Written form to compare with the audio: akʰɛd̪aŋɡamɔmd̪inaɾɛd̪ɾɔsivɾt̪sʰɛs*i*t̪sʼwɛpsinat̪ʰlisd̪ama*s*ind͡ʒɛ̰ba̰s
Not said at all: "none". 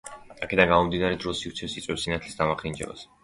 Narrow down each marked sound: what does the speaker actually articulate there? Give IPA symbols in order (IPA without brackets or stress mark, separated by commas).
i, χ